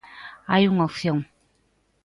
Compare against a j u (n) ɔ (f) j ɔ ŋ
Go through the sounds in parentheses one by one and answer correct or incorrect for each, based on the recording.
incorrect, correct

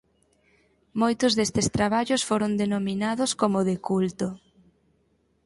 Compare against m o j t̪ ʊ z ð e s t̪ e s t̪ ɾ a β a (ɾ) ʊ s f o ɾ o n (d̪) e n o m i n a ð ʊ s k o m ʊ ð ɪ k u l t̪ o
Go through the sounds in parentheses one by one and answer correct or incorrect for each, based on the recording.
incorrect, correct

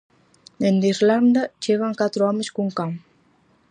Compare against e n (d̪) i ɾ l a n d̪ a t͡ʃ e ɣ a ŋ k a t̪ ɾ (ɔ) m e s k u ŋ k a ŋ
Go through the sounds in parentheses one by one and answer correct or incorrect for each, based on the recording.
correct, correct

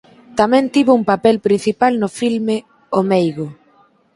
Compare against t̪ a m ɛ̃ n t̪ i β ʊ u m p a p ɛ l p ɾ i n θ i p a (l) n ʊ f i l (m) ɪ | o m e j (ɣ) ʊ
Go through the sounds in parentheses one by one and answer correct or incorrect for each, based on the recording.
correct, correct, correct

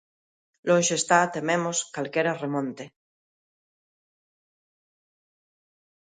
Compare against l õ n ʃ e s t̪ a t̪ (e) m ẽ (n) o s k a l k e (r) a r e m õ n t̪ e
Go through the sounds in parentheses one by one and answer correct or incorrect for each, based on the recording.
correct, incorrect, incorrect

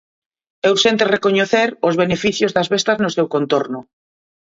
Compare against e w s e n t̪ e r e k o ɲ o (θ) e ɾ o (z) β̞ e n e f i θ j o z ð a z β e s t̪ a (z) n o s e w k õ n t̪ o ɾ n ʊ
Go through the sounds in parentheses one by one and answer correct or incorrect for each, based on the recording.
correct, correct, correct

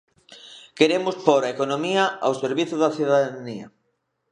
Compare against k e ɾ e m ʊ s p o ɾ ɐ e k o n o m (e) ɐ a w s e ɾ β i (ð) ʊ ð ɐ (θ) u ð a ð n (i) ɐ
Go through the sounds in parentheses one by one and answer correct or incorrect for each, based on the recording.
incorrect, incorrect, correct, correct

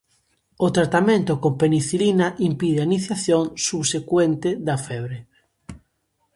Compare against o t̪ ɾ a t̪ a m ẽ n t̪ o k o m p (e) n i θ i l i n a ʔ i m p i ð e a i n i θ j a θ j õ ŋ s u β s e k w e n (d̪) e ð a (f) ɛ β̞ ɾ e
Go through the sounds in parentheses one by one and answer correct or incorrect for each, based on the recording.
correct, incorrect, correct

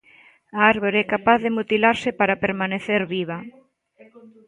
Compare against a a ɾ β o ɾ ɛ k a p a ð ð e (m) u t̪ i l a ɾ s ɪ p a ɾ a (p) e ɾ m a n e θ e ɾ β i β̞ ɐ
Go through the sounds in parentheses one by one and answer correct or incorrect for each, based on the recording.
correct, correct

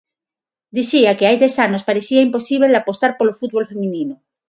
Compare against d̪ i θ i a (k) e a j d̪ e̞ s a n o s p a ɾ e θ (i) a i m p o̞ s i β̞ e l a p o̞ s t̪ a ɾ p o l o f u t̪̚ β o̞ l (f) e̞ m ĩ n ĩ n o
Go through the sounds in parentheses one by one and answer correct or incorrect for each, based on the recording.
correct, correct, correct

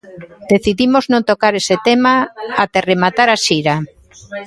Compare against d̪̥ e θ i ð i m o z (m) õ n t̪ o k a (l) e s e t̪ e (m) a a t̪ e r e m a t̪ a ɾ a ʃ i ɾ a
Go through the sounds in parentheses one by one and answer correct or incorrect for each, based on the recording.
incorrect, incorrect, correct

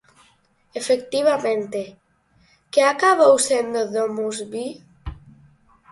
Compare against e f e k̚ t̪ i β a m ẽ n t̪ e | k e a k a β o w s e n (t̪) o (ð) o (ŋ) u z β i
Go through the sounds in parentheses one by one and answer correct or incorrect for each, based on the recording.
incorrect, correct, incorrect

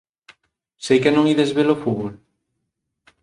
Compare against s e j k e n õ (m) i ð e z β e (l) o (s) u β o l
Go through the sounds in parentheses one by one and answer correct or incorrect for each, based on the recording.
incorrect, correct, incorrect

